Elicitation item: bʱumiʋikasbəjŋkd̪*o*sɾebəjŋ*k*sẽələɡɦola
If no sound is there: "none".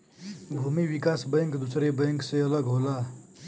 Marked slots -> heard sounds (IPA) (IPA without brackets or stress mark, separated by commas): u, k